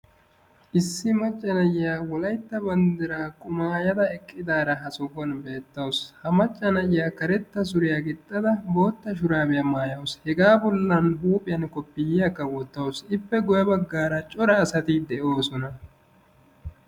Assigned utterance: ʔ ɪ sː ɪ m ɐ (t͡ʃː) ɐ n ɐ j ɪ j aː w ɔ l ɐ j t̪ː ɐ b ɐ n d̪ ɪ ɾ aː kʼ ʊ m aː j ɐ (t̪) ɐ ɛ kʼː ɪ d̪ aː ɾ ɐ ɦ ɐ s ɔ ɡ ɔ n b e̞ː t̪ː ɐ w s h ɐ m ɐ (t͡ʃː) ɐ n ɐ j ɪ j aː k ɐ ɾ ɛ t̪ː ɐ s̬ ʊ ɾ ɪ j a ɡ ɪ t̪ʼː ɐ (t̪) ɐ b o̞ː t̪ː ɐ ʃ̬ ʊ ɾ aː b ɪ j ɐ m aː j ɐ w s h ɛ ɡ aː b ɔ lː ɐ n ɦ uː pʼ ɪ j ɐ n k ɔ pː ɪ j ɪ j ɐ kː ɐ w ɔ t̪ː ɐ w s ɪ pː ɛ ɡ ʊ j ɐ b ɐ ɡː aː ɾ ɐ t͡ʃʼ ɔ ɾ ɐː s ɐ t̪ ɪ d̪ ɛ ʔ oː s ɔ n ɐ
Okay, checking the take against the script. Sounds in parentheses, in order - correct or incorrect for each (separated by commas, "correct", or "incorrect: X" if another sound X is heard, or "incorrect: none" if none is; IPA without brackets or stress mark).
incorrect: t͡ʃʼː, incorrect: d̪, incorrect: t͡ʃʼː, incorrect: d̪